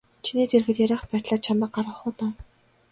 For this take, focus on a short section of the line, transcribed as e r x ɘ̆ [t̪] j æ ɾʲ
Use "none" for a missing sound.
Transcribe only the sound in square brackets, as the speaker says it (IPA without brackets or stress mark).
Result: t̪